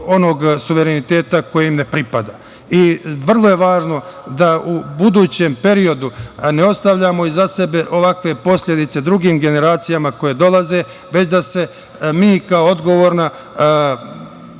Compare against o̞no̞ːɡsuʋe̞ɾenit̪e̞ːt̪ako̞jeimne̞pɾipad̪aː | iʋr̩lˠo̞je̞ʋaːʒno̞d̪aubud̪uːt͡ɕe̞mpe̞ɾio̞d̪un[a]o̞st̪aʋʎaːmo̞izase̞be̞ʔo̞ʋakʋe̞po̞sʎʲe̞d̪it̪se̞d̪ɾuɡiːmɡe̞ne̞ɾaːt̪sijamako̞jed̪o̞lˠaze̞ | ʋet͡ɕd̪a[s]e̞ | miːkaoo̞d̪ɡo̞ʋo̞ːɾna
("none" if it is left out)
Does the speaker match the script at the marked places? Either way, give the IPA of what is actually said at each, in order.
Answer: e, s

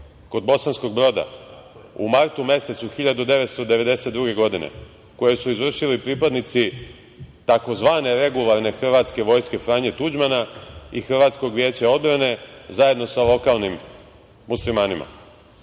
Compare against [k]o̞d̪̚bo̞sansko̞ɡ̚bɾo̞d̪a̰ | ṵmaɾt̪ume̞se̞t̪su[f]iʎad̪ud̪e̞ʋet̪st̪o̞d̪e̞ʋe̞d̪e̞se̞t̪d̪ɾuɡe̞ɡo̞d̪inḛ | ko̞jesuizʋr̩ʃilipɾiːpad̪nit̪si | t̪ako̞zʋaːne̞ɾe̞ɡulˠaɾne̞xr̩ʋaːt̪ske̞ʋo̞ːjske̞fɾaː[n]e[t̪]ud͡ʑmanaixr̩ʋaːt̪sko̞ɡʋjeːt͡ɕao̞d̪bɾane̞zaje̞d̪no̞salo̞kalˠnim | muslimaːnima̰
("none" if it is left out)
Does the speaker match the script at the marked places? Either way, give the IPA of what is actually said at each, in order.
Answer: k, x, ɲ, t̪

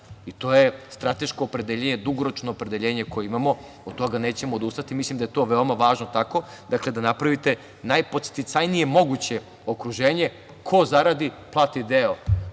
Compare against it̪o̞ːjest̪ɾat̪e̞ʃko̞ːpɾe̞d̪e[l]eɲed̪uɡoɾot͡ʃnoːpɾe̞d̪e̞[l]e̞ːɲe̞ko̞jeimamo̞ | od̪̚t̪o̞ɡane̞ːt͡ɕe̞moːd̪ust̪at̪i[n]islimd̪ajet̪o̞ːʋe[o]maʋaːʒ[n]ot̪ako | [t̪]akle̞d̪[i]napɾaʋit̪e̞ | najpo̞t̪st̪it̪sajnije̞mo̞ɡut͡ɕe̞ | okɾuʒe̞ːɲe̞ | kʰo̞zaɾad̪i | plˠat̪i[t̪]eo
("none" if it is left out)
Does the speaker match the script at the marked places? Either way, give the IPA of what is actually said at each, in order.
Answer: ʎ, ʎ, m, o, n, d̪, a, d̪

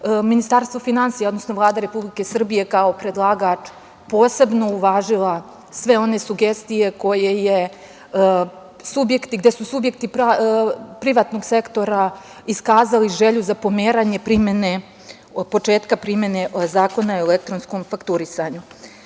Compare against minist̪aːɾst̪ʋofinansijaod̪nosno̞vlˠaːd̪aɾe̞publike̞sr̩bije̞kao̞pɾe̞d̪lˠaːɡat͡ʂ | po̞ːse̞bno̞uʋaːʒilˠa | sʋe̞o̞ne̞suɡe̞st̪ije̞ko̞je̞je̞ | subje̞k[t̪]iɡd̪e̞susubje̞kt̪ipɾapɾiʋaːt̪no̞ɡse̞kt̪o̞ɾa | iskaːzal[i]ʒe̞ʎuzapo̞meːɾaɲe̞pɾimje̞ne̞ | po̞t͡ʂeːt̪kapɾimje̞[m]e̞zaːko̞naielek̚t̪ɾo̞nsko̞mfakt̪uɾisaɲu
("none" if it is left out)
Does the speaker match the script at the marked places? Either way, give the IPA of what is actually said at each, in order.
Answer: t̪, i, n

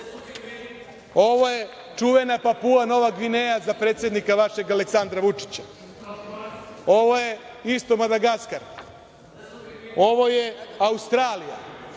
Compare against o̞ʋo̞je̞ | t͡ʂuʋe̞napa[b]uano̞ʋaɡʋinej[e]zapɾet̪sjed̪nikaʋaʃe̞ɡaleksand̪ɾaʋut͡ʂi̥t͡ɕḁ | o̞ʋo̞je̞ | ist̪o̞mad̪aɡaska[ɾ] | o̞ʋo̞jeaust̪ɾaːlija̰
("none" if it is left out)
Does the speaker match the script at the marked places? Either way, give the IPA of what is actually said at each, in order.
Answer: p, a, ɾ

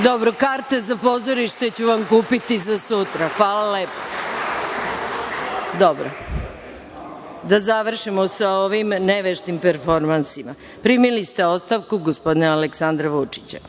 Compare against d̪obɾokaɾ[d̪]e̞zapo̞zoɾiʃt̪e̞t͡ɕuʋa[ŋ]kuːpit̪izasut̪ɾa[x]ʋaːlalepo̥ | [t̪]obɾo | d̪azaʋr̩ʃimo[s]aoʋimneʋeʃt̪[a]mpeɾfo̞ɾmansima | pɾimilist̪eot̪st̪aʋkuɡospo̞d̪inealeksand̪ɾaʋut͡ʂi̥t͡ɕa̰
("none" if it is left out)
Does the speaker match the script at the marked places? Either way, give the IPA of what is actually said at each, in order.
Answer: t̪, m, x, d̪, s, i

